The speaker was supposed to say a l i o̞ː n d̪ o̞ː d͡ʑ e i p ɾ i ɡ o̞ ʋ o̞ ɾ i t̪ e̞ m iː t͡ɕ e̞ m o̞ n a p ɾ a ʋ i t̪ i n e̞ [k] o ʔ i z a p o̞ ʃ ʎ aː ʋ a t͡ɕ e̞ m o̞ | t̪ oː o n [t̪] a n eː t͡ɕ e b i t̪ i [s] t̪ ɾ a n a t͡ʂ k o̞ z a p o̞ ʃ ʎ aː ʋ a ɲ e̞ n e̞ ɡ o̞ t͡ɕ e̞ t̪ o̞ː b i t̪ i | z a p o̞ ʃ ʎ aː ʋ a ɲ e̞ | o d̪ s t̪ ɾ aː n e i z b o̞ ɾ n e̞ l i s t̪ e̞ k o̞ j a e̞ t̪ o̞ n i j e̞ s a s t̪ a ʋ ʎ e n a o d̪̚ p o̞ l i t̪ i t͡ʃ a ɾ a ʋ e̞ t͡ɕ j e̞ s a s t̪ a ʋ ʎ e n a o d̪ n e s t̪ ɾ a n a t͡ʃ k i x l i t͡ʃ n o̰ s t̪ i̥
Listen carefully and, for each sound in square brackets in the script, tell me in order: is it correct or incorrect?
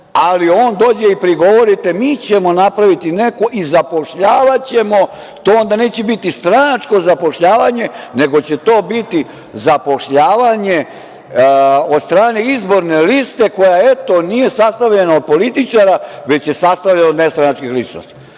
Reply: correct, incorrect: d̪, correct

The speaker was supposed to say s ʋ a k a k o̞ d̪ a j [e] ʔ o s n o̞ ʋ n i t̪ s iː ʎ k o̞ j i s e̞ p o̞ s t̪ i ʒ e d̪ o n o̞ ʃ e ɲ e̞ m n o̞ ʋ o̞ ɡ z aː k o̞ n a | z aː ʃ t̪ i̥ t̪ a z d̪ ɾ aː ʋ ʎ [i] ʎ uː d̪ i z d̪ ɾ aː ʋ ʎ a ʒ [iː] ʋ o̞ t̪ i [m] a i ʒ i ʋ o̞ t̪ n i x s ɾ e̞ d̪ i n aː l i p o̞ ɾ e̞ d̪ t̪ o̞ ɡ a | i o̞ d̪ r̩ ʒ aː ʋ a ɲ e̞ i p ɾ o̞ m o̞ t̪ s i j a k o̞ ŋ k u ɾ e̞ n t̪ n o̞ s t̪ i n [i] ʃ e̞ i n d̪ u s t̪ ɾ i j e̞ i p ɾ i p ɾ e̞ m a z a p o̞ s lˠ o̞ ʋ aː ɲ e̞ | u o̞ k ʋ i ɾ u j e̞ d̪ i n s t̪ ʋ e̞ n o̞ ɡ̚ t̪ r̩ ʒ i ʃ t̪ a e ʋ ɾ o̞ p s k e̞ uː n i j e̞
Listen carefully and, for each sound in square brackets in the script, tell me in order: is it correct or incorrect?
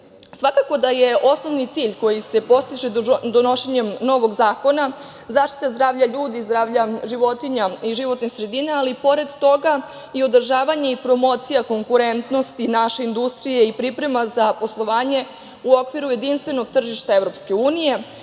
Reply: correct, incorrect: a, incorrect: i, incorrect: ɲ, incorrect: a

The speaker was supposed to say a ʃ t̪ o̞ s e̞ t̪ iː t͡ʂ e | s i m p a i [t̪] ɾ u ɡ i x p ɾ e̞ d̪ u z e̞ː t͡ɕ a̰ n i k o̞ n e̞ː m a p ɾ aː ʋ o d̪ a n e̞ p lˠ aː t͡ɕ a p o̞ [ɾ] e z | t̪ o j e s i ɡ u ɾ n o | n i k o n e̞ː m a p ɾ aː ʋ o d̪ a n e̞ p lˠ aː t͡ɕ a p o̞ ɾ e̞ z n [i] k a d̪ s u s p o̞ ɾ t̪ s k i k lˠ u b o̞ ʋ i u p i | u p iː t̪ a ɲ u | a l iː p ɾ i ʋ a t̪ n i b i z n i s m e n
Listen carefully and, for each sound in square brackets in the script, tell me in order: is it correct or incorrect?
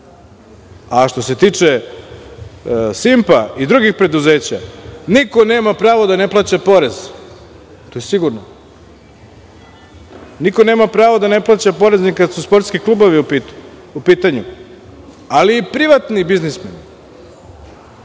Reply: incorrect: d̪, correct, correct

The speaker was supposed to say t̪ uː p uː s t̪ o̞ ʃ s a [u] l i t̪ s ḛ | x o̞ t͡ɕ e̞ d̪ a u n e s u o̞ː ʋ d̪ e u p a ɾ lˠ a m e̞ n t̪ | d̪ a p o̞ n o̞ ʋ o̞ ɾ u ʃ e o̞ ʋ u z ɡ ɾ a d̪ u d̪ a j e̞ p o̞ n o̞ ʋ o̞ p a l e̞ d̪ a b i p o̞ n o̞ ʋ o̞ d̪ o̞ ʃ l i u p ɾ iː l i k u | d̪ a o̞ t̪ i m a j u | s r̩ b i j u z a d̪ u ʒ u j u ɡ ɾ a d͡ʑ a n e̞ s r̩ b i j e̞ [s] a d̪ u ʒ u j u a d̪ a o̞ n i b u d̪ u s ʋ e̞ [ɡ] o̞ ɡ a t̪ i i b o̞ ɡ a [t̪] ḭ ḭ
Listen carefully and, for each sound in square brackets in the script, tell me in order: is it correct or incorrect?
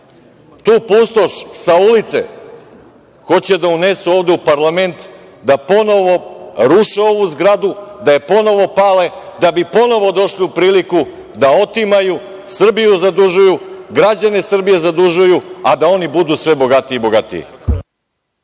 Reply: correct, incorrect: z, incorrect: b, correct

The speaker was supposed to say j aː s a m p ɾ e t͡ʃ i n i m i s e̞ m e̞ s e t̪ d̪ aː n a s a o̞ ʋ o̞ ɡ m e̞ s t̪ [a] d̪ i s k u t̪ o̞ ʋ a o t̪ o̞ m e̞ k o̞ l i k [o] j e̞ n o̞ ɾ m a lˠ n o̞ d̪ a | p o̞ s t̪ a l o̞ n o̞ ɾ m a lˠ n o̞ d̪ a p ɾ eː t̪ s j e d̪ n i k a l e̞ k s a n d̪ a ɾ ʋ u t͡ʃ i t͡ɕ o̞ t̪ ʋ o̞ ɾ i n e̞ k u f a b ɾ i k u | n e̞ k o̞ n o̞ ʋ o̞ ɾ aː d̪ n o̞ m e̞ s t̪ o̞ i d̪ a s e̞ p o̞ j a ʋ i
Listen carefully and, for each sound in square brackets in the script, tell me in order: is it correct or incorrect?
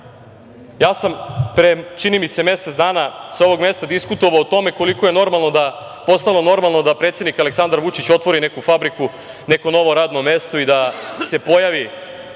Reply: correct, correct

